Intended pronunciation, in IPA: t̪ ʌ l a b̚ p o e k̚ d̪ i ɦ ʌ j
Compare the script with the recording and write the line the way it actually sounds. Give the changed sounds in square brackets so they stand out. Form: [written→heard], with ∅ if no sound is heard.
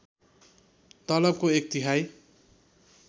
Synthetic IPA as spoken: t̪ ʌ l [a→ʌ] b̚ [p→k] o e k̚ [d̪→t̪] i ɦ [ʌ→a] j